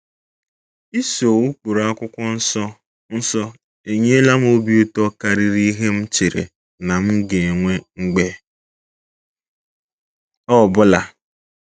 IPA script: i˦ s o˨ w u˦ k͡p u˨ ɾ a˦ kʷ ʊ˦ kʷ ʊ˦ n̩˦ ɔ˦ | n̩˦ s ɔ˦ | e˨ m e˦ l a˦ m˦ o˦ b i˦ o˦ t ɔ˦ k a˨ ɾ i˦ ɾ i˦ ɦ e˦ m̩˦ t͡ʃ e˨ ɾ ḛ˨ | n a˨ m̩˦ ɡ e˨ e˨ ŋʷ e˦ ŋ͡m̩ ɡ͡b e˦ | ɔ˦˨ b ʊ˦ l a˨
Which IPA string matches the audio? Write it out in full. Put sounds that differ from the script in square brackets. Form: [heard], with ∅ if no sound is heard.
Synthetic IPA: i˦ s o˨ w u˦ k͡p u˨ ɾ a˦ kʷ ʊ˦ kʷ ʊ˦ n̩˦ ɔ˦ | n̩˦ s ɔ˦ | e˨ [ɲ] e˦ l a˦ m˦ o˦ b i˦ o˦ t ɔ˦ k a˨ ɾ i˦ ɾ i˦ ɦ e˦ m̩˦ t͡ʃ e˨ ɾ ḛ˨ | n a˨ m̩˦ ɡ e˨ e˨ ŋʷ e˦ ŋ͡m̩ ɡ͡b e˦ | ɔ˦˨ b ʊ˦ l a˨

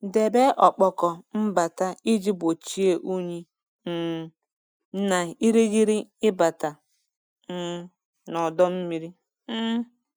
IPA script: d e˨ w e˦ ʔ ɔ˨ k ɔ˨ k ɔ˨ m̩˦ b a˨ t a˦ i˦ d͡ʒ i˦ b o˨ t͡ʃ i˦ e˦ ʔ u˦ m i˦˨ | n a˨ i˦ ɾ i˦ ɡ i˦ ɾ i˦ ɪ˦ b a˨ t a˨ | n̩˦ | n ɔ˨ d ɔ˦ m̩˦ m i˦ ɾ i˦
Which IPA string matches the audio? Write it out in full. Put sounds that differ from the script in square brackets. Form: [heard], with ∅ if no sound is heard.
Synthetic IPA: d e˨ [b] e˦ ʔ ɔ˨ [k͡p] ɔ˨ k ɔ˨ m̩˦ b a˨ t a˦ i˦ d͡ʒ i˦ b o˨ t͡ʃ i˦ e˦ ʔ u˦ [ɲ] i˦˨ | n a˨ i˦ ɾ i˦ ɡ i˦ ɾ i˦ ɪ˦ b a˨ t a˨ | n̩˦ | n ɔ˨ d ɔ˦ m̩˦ m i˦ ɾ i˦

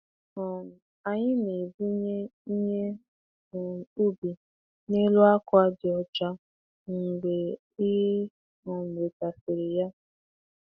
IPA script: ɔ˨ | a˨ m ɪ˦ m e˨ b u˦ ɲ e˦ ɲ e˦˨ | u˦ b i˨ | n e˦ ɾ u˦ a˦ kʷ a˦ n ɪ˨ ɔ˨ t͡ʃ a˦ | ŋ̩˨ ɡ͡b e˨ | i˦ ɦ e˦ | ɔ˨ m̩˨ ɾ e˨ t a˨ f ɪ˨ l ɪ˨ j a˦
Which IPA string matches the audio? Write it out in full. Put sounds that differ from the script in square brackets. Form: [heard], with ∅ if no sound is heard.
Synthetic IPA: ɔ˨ | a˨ [ɲ] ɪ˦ [n] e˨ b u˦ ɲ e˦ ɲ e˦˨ | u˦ b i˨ | n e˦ [l] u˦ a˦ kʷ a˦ [d] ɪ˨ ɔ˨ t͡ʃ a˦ | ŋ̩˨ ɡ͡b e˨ | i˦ ɦ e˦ | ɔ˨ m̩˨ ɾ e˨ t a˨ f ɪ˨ [ɾ] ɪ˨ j a˦

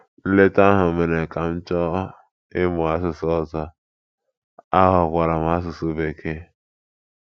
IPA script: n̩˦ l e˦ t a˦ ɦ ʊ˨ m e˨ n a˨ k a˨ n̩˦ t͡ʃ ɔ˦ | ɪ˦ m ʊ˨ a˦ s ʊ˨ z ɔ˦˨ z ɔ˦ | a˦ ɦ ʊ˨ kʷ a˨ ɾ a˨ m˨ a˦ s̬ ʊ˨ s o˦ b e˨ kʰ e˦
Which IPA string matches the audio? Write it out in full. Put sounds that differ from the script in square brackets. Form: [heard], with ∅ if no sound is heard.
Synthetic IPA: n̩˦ l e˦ t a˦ ɦ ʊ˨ m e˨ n [e˨] k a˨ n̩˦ t͡ʃ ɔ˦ | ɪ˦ m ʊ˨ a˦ s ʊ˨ [s] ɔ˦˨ z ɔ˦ | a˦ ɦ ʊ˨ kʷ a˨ ɾ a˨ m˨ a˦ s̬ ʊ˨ s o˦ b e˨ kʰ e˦

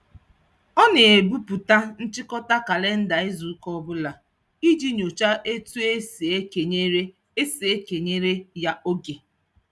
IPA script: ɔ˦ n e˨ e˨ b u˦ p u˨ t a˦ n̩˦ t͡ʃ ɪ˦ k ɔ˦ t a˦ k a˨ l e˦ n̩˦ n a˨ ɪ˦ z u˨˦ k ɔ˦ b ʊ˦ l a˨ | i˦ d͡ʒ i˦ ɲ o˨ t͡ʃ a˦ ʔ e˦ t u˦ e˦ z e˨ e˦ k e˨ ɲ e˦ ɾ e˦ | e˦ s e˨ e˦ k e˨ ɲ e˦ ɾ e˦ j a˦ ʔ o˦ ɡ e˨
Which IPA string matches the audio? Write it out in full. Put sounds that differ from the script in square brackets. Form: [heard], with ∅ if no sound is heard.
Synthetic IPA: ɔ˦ n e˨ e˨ b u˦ p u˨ t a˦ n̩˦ t͡ʃ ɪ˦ k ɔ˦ t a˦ k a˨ l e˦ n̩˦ [d] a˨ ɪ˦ z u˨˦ k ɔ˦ b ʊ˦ l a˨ | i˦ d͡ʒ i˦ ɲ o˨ t͡ʃ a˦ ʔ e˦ t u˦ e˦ [s] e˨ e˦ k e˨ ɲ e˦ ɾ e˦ | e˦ s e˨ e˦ k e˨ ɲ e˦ ɾ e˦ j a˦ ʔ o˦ ɡ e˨

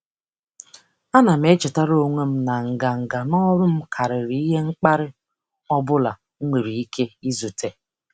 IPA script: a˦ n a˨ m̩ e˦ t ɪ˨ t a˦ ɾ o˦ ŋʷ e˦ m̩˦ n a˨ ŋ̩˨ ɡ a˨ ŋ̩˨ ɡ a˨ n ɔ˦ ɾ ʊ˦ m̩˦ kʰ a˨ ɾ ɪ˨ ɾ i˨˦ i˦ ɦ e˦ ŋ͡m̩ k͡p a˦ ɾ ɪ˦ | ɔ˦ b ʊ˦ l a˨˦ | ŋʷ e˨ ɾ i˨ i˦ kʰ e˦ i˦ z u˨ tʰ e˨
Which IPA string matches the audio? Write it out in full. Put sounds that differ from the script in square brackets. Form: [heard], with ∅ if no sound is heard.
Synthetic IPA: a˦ n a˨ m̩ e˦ [t͡ʃ] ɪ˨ t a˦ ɾ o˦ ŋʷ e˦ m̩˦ n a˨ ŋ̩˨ ɡ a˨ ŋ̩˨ ɡ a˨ n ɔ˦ ɾ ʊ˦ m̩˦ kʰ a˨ ɾ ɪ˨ ɾ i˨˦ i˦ ɦ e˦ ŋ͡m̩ k͡p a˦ ɾ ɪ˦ | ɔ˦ b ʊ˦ l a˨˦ | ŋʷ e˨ ɾ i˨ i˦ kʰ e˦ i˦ z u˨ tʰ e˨

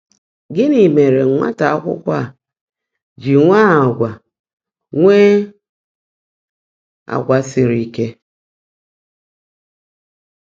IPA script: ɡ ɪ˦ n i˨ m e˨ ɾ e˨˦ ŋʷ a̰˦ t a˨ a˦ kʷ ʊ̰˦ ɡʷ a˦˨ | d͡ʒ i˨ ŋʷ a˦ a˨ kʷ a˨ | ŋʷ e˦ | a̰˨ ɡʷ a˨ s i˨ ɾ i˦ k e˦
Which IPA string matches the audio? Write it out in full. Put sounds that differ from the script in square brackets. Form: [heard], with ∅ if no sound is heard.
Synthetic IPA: ɡ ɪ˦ n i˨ m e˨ ɾ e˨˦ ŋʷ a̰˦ t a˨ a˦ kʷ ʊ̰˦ [kʷ] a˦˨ | d͡ʒ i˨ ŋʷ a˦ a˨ [ɡʷ] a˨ | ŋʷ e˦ | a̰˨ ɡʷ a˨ s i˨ ɾ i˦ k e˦

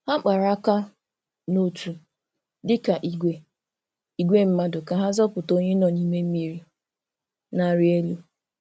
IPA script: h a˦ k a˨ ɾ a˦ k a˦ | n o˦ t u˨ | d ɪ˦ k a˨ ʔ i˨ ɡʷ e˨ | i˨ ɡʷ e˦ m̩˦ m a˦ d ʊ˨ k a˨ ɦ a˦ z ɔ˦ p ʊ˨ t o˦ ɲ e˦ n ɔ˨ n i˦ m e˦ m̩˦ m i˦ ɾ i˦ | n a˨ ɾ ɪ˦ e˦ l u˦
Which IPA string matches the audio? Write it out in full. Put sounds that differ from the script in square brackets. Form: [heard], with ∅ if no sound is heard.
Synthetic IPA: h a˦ [k͡p] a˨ ɾ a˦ k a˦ | n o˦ t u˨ | d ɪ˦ k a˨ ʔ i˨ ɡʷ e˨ | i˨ ɡʷ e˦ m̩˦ m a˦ d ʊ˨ k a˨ ɦ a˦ z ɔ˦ p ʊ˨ t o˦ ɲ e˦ n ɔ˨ n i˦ m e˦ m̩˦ m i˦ ɾ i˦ | n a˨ ɾ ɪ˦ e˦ l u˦

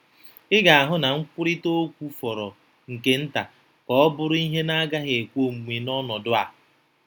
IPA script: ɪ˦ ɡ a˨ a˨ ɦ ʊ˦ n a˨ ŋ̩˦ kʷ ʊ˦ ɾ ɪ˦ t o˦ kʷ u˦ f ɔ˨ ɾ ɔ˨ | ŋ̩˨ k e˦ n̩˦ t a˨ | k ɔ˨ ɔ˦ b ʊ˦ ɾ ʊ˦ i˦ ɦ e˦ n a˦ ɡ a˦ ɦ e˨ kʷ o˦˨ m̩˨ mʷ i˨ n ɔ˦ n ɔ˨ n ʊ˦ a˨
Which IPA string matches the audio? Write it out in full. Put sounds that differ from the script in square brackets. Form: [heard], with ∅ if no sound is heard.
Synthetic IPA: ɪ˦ ɡ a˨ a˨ ɦ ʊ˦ n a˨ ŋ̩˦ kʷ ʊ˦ ɾ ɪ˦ t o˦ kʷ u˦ f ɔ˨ ɾ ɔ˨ | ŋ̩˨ k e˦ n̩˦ t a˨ | k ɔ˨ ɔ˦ b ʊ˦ ɾ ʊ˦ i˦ ɦ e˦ n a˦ ɡ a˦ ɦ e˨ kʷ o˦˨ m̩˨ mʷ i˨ n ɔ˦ n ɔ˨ [d] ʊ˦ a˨

